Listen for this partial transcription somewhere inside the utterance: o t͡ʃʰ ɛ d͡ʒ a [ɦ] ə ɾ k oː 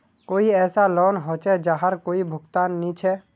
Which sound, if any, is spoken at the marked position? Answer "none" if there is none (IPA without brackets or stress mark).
ɦ